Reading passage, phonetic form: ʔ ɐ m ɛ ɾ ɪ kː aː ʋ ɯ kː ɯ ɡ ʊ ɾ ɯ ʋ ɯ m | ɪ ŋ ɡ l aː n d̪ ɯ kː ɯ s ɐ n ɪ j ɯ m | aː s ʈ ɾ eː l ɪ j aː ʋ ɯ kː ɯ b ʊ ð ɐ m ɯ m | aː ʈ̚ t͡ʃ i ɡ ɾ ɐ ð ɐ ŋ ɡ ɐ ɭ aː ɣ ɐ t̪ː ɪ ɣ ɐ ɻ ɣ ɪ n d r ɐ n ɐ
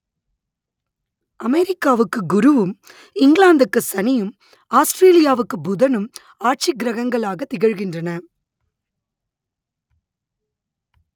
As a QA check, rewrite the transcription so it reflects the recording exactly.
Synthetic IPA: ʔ ɐ m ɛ ɾ ɪ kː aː ʋ ɯ kː ɯ ɡ ʊ ɾ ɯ ʋ ɯ m | ɪ ŋ ɡ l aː n d̪ ɯ kː ɯ s ɐ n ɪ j ɯ m | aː s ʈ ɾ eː l ɪ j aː ʋ ɯ kː ɯ b ʊ ð ɐ n ɯ m | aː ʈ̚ t͡ʃ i ɡ ɾ ɐ ɣ ɐ ŋ ɡ ɐ ɭ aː ɣ ɐ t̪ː ɪ ɣ ɐ ɻ ɣ ɪ n d r ɐ n ɐ